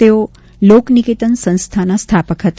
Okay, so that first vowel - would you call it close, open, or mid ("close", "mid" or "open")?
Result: mid